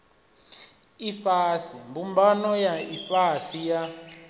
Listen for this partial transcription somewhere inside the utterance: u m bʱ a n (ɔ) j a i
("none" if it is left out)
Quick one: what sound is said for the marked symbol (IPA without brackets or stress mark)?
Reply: ɔ